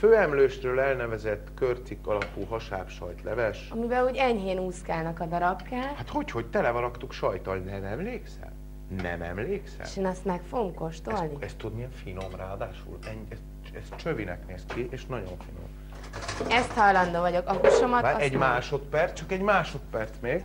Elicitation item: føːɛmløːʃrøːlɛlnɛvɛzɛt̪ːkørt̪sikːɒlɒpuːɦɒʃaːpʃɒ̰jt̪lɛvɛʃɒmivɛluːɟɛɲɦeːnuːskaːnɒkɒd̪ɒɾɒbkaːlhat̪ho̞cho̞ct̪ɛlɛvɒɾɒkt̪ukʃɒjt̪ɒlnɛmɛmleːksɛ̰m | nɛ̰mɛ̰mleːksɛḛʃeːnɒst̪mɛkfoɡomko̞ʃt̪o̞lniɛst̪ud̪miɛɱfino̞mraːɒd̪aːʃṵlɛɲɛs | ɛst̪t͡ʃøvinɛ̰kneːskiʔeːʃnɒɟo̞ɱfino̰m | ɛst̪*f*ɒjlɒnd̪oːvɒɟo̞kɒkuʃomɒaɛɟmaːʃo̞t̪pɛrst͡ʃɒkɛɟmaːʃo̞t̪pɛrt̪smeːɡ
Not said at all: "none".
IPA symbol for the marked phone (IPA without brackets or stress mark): h